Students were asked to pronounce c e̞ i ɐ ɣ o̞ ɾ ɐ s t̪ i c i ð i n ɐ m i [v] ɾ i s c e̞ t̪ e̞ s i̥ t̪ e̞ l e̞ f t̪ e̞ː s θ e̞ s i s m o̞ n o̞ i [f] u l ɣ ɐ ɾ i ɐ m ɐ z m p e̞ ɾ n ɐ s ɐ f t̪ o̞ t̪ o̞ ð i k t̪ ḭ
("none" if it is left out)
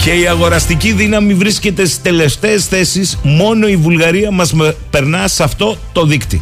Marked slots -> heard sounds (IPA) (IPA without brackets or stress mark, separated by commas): v, v